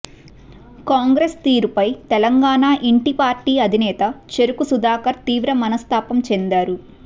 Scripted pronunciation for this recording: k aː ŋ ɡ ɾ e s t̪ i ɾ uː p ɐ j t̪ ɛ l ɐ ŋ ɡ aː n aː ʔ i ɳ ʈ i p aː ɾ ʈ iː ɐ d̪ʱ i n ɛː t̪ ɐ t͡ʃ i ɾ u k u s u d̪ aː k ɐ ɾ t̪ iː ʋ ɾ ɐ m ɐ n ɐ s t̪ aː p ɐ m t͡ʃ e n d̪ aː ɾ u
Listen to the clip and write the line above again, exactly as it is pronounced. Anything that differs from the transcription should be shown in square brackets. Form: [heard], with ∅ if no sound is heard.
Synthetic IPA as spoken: k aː ŋ ɡ ɾ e s t̪ [iː] ɾ [u] p ɐ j t̪ ɛ l ɐ ŋ ɡ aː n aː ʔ i ɳ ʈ i p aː ɾ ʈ iː ɐ d̪ʱ i n ɛː t̪ ɐ t͡ʃ [e] ɾ u k u s u d̪ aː k ɐ ɾ t̪ iː ʋ ɾ ɐ m ɐ n ɐ s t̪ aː p ɐ m t͡ʃ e n d̪ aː ɾ u

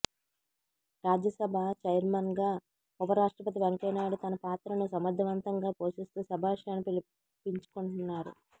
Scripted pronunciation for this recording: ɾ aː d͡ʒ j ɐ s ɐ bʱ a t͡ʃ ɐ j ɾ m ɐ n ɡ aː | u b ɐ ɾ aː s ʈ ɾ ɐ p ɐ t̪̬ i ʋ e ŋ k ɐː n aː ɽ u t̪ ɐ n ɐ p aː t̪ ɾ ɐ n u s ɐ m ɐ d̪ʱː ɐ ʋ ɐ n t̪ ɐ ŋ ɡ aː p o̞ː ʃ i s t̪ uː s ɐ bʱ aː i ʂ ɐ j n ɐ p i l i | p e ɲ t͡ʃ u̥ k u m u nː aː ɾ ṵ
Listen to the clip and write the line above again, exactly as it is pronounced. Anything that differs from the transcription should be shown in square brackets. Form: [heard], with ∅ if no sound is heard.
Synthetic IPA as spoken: ɾ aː d͡ʒ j ɐ s ɐ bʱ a t͡ʃ ɐ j ɾ m ɐ n ɡ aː | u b ɐ ɾ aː [ʂ] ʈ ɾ ɐ p ɐ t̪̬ i ʋ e ŋ k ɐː n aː ɽ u t̪ ɐ n ɐ p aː t̪ ɾ ɐ n u s ɐ m ɐ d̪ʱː ɐ ʋ ɐ n t̪ ɐ ŋ ɡ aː p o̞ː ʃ i s t̪ uː s ɐ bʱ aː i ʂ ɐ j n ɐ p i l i | p [i] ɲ t͡ʃ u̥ k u [ɳ] u nː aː ɾ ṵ

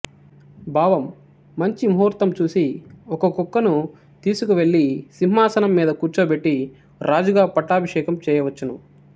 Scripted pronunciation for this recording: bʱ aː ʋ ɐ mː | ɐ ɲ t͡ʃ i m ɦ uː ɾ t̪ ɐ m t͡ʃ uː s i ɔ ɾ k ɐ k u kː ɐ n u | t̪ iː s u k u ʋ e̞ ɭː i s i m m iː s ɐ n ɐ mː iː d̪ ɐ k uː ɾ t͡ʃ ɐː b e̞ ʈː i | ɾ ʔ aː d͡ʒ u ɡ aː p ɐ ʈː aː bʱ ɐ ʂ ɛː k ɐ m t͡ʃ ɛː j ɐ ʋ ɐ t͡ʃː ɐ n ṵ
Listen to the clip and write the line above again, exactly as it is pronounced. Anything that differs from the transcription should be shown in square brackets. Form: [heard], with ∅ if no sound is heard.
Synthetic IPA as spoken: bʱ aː ʋ ɐ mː | ɐ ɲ t͡ʃ i m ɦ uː ɾ t̪ ɐ m t͡ʃ uː s i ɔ [∅] k ɐ k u kː ɐ n u | t̪ iː s u k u ʋ e̞ ɭː i s i m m [aː] s ɐ n ɐ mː iː d̪ ɐ k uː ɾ t͡ʃ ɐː b e̞ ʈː i | ɾ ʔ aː d͡ʒ u ɡ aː p ɐ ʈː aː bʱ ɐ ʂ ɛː k ɐ m t͡ʃ ɛː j ɐ ʋ ɐ t͡ʃː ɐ n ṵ

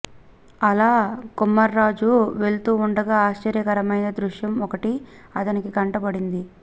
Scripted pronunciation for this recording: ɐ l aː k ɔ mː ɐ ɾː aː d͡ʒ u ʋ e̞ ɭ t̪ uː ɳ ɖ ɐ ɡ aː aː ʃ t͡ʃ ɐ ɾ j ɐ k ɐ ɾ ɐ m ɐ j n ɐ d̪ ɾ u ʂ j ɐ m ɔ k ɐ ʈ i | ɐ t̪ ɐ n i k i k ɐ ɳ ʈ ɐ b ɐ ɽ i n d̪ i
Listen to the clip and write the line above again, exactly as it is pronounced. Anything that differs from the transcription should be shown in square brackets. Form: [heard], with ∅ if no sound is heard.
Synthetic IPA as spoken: ɐ l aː k [u] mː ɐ ɾː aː d͡ʒ u ʋ e̞ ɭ t̪ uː ɳ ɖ ɐ ɡ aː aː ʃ t͡ʃ ɐ ɾ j ɐ k ɐ ɾ ɐ m ɐ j n ɐ d̪ ɾ u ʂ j ɐ m ɔ k ɐ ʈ i | ɐ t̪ ɐ n i k i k ɐ ɳ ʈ ɐ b ɐ ɽ i n d̪ i

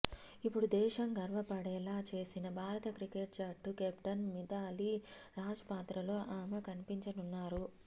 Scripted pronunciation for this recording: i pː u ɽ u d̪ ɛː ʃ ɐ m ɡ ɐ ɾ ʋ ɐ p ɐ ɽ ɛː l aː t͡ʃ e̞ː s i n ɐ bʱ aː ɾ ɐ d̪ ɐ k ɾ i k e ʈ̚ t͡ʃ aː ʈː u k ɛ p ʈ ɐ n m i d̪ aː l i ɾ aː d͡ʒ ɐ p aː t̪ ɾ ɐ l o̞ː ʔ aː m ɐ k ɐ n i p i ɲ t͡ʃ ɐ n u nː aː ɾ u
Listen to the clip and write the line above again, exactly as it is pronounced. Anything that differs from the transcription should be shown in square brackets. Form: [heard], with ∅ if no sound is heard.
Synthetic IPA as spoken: i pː u ɽ u d̪ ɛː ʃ ɐ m ɡ ɐ ɾ ʋ ɐ p ɐ ɽ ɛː l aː t͡ʃ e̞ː s i n ɐ bʱ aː ɾ ɐ [t̪] ɐ k ɾ i k e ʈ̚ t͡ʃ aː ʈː u k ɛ p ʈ ɐ n m i d̪ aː l i ɾ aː d͡ʒ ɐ p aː t̪ ɾ ɐ l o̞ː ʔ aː m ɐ k ɐ n i p i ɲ t͡ʃ ɐ n u nː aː ɾ u

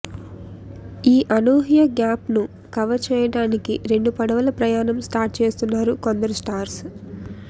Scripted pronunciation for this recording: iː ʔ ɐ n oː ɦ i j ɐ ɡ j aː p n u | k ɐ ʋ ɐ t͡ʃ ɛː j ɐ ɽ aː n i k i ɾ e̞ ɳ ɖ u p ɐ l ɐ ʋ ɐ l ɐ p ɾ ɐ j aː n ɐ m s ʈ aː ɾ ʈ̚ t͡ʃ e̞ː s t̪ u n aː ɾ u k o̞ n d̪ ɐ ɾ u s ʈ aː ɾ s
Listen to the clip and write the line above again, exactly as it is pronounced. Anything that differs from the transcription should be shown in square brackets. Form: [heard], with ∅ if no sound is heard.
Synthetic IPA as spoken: iː ʔ ɐ n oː ɦ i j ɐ ɡ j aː p n u | k ɐ ʋ ɐ t͡ʃ ɛː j ɐ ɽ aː n i k i ɾ e̞ ɳ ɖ u p ɐ [ɽ] ɐ ʋ ɐ l ɐ p ɾ ɐ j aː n ɐ m s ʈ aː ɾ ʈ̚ t͡ʃ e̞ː s t̪ u [nː] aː ɾ u k o̞ n d̪ ɐ ɾ u s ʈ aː ɾ s

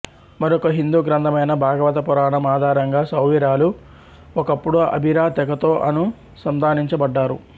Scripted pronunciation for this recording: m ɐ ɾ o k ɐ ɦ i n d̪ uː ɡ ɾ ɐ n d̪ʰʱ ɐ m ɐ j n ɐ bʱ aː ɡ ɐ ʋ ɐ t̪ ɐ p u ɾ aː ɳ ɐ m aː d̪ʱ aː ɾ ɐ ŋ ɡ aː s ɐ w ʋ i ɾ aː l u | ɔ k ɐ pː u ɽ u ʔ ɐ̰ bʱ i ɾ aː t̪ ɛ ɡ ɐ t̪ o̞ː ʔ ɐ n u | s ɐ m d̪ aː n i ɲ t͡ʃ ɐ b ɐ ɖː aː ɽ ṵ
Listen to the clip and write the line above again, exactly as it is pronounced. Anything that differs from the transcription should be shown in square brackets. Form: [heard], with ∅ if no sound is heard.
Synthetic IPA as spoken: m ɐ ɾ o k ɐ ɦ i n d̪ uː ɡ ɾ ɐ n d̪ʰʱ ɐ m ɐ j n ɐ bʱ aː ɡ ɐ ʋ ɐ t̪ ɐ p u ɾ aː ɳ ɐ m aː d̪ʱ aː ɾ ɐ ŋ ɡ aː s ɐ w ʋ i ɾ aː l u | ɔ k ɐ pː u ɽ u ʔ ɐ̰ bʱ i ɾ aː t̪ ɛ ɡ ɐ t̪ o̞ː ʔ ɐ n u | s ɐ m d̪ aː n i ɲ t͡ʃ ɐ b ɐ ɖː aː [ɾ] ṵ

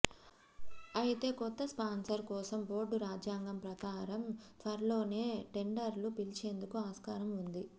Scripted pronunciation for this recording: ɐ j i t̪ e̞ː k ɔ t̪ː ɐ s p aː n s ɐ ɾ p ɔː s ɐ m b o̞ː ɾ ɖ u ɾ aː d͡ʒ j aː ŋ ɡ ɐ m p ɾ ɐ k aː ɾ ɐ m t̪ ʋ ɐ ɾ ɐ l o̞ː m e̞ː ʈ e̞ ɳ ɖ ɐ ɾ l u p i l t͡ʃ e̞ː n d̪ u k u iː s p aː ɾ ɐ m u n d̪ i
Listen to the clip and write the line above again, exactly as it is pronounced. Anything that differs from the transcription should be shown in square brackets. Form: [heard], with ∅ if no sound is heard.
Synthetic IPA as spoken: ɐ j i t̪ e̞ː k ɔ t̪ː ɐ s p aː n s ɐ ɾ [k] ɔː s ɐ m b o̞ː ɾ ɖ u ɾ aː d͡ʒ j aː ŋ ɡ ɐ m p ɾ ɐ k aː ɾ ɐ m t̪ ʋ ɐ ɾ ɐ l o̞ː [n] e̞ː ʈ e̞ ɳ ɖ ɐ ɾ l u p i l t͡ʃ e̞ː n d̪ u k u [aː] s [k] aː ɾ ɐ m u n d̪ i

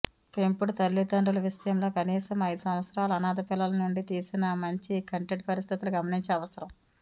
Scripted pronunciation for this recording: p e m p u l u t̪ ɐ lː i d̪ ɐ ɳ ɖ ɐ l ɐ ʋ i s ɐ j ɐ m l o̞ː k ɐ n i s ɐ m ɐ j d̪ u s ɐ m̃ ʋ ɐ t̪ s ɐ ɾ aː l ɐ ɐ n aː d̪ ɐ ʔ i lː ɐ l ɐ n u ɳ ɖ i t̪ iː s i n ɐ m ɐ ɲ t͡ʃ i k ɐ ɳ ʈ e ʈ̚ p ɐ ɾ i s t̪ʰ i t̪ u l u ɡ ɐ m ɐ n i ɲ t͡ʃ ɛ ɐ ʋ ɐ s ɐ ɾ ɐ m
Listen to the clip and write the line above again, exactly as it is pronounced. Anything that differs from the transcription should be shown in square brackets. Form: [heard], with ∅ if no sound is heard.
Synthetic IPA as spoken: p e m p u [ɽ] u t̪ ɐ lː i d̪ ɐ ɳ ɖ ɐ l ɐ ʋ i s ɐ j ɐ m l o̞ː k ɐ n [iː] s ɐ m ɐ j d̪ u s ɐ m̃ ʋ ɐ t̪ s ɐ ɾ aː l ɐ ɐ n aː d̪ ɐ [p] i lː ɐ l ɐ n u ɳ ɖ i t̪ iː s i n ɐ m ɐ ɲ t͡ʃ i k ɐ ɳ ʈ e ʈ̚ p ɐ ɾ i s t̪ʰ i t̪ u l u ɡ ɐ m ɐ n i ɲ t͡ʃ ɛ ɐ ʋ ɐ s ɐ ɾ ɐ m

